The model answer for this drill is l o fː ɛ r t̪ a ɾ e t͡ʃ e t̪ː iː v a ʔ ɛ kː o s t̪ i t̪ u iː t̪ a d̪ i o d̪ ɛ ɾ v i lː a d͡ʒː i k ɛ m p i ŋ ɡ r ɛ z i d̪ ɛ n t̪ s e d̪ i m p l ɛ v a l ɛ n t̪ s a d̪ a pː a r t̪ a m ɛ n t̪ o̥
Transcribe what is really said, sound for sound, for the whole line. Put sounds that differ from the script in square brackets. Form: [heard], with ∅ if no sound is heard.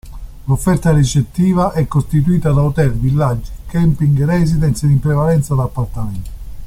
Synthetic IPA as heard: l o fː ɛ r t̪ a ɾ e t͡ʃ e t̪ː iː v a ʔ ɛ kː o s t̪ i t̪ u iː t̪ a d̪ [a] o [t̪] ɛ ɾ v i lː a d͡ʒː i k ɛ m p i ŋ ɡ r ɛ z i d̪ ɛ n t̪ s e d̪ i m p [ɾ] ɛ v a l ɛ n t̪ s a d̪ a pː a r t̪ a m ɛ n t̪ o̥